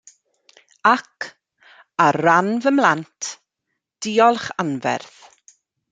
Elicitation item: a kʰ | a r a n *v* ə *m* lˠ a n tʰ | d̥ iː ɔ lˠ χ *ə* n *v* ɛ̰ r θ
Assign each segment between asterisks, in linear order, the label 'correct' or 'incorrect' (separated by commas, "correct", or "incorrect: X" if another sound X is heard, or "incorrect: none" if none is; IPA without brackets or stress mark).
correct, correct, incorrect: a, correct